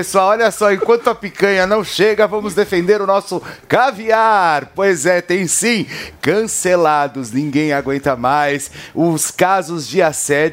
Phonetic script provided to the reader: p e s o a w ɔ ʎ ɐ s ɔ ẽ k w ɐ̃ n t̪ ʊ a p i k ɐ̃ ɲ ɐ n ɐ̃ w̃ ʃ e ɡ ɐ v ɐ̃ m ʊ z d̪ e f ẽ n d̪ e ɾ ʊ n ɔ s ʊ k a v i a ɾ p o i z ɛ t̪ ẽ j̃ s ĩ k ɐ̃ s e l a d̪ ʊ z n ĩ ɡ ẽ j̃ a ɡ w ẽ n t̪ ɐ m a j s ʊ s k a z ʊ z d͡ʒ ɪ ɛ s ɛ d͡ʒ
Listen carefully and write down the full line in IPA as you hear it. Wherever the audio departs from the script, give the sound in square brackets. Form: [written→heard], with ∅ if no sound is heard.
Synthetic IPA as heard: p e s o a w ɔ ʎ ɐ s ɔ ẽ k w ɐ̃ n t̪ ʊ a p i k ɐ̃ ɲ ɐ n ɐ̃ w̃ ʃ e ɡ ɐ v ɐ̃ m ʊ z d̪ e f ẽ n d̪ e ɾ ʊ n ɔ s ʊ k a v i a ɾ p o [i→j] z ɛ t̪ ẽ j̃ s ĩ k ɐ̃ s e l a d̪ ʊ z n ĩ ɡ ẽ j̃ a ɡ w ẽ n t̪ ɐ m a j s ʊ s k a z ʊ z d͡ʒ ɪ [ɛ→a] s ɛ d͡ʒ